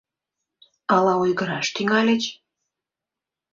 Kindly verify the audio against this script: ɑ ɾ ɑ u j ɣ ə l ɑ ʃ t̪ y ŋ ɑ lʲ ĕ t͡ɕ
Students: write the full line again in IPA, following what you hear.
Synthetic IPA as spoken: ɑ l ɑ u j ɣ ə ɾ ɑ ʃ t̪ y ŋ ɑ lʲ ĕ t͡ɕ